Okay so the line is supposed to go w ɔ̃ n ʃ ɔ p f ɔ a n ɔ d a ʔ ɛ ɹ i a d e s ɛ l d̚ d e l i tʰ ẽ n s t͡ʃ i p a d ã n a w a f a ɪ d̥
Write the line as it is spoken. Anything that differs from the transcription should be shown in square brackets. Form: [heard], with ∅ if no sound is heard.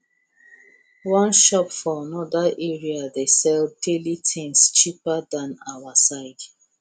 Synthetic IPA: w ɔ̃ n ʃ ɔ p f ɔ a n ɔ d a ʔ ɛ ɹ i a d e s ɛ l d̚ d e l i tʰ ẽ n s t͡ʃ i p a d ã n a w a [s] a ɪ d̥